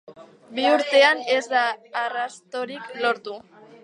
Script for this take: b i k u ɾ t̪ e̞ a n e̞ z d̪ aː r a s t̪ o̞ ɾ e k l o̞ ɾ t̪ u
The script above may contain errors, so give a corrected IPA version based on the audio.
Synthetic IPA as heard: b i u ɾ t̪ e̞ a n e̞ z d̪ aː r a s t̪ o̞ ɾ i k l o̞ ɾ t̪ u